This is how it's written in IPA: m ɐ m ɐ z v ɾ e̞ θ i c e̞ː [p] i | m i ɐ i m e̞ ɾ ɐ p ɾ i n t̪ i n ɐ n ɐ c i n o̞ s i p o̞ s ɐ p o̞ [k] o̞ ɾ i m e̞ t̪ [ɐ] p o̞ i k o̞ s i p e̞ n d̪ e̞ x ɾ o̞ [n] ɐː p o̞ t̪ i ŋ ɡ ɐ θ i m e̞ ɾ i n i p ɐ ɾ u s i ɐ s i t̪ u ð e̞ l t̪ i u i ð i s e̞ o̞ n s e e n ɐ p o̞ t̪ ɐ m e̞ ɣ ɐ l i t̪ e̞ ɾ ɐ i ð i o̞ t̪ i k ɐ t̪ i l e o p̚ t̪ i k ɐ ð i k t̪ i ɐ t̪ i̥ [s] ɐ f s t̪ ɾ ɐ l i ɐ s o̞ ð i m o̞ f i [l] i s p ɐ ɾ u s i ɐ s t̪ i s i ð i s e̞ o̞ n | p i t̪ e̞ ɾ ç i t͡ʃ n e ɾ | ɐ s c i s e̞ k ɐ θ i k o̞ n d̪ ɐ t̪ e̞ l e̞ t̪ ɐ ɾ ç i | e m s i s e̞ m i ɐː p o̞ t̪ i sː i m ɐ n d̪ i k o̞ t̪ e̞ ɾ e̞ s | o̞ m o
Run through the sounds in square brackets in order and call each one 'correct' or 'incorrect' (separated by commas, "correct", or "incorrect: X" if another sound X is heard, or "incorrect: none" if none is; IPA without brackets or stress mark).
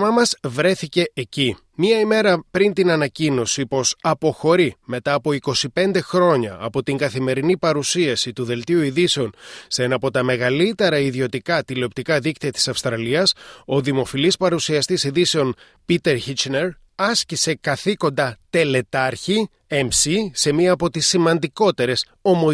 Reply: incorrect: c, incorrect: x, incorrect: ɐː, incorrect: ɲ, correct, correct